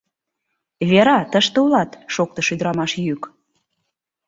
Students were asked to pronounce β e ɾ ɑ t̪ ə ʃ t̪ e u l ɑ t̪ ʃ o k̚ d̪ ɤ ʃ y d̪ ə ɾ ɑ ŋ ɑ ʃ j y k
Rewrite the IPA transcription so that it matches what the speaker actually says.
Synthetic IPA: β e ɾ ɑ t̪ ə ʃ t̪ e u l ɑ t̪ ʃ o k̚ t̪ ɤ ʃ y d̪ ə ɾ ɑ m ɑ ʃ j y k